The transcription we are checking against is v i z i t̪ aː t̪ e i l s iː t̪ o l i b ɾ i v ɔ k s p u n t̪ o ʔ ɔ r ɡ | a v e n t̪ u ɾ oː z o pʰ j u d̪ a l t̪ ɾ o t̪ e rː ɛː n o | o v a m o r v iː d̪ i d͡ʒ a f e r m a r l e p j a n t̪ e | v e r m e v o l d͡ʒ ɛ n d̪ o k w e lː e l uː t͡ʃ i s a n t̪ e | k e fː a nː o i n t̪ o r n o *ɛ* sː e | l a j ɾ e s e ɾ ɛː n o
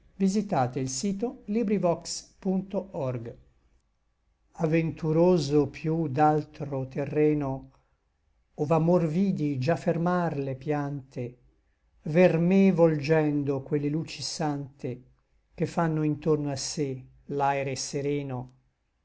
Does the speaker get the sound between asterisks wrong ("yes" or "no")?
yes